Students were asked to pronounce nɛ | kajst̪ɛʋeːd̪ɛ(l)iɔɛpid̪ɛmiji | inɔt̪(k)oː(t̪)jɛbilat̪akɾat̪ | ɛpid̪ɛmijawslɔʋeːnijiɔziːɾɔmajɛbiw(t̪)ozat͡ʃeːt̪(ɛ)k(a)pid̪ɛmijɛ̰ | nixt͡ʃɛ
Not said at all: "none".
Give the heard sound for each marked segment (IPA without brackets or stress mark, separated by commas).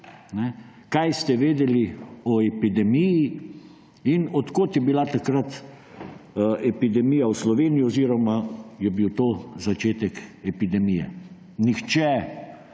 l, k, t̪, t̪, ɛ, ɛ